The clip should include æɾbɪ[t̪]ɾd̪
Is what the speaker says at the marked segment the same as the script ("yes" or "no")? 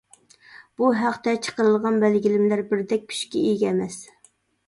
no